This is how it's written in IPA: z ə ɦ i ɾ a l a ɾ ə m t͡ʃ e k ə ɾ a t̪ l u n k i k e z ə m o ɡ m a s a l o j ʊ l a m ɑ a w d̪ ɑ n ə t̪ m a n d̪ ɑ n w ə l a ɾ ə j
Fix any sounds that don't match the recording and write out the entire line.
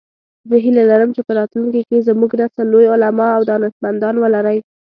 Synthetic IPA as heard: z ə ɦ i l a l a ɾ ə m t͡ʃ e p ə ɾ ɑ t̪ l u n k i k e z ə m u ɡ n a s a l o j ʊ l a m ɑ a w d̪ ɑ n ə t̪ m a n d̪ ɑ n w ə l a ɾ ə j